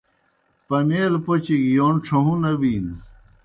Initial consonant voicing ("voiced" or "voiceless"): voiceless